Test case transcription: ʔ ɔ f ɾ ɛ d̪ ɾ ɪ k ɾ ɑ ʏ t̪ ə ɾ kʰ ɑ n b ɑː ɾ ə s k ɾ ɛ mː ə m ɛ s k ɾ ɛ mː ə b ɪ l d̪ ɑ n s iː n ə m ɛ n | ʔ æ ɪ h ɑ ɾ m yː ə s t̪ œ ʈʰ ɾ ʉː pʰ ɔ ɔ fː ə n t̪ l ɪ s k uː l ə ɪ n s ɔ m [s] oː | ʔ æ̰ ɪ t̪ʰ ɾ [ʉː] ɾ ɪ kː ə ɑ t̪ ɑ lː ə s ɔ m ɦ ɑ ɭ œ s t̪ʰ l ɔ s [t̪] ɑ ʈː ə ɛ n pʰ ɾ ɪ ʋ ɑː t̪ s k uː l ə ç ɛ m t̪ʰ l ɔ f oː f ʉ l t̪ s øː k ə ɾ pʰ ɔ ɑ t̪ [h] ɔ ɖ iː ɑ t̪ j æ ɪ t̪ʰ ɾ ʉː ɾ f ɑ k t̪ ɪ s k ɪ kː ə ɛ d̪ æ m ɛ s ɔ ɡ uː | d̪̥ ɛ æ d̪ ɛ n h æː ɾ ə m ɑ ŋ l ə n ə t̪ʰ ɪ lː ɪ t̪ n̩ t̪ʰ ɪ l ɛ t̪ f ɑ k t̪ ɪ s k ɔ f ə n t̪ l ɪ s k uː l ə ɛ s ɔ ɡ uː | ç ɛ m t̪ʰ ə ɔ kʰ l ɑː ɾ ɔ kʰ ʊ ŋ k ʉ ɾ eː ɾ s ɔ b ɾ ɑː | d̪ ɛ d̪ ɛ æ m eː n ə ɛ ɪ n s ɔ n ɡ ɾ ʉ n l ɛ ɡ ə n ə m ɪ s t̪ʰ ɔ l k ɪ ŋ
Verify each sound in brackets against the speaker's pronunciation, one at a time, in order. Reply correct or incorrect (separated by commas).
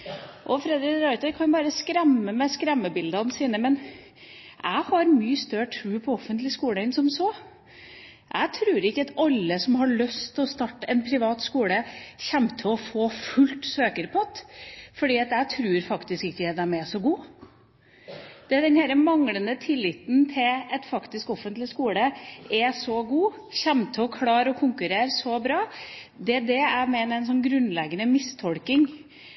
correct, correct, correct, incorrect